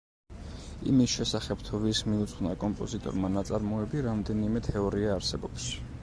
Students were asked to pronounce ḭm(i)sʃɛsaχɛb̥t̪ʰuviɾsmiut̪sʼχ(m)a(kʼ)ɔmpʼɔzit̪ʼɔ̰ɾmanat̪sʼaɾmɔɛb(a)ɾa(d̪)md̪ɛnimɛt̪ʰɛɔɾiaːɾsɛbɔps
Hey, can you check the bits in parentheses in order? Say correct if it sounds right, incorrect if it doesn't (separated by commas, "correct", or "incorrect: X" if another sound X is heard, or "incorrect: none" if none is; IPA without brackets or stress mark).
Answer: correct, incorrect: n, correct, incorrect: i, incorrect: none